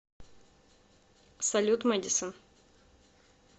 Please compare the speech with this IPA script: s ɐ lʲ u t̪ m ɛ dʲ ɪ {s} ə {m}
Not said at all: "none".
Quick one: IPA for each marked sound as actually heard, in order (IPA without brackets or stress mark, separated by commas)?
s, n